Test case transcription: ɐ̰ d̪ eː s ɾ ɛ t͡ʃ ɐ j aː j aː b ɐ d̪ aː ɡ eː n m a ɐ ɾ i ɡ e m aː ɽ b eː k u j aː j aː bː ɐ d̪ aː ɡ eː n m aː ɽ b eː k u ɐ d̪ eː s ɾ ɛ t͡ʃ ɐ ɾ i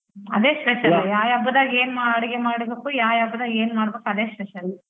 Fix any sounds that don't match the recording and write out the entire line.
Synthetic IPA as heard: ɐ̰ d̪ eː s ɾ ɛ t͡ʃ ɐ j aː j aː b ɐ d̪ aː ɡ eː n m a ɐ ɽ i ɡ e m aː ɽ b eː k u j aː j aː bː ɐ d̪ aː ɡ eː n m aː ɽ b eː k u ɐ d̪ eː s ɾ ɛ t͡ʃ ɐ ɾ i